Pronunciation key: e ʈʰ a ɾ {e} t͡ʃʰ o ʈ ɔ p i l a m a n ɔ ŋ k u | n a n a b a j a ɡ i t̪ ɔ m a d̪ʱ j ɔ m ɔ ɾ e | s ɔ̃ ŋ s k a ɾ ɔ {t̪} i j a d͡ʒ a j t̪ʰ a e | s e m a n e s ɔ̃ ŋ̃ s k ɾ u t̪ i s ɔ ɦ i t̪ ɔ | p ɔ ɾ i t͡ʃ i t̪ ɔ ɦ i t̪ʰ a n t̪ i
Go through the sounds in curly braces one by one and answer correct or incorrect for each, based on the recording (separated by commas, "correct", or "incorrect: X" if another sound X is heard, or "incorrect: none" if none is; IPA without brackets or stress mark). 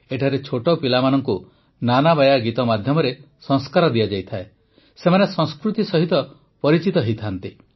correct, incorrect: d̪